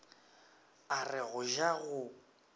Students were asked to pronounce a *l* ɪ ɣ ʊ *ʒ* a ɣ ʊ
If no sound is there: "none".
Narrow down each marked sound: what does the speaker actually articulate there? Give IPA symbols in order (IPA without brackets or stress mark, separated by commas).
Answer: r, ʒ